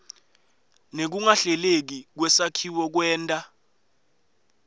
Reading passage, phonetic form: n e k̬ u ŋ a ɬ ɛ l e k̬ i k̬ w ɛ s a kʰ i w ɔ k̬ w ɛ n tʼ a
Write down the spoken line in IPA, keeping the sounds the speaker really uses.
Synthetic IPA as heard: n e k̬ u ŋ a ɬ ɛ l e k̬ i k̬ w ɛ s a kʰ i w ɔ k̬ w ɛː n tʼ a